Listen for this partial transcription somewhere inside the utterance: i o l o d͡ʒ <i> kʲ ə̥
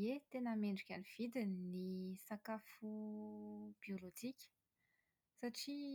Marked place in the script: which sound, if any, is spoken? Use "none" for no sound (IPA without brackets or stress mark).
i